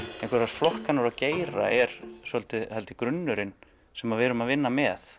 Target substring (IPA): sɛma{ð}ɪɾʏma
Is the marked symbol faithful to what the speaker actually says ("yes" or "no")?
no